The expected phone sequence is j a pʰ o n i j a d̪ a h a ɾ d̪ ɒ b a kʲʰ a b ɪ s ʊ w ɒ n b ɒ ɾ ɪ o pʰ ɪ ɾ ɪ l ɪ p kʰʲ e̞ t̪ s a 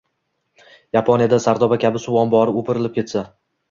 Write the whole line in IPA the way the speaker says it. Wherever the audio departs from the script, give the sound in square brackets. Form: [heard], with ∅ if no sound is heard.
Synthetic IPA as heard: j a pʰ o n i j a d̪ a [s] a ɾ d̪ ɒ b a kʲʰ a b ɪ s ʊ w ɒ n b ɒ ɾ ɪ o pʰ ɪ ɾ ɪ l ɪ p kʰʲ e̞ t̪ s a